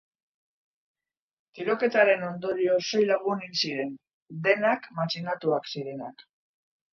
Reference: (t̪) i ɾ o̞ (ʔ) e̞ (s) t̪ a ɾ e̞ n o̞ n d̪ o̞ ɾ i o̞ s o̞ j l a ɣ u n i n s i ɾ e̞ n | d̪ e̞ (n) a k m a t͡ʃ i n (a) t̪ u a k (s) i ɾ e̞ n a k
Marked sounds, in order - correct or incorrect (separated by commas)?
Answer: correct, incorrect, incorrect, correct, correct, correct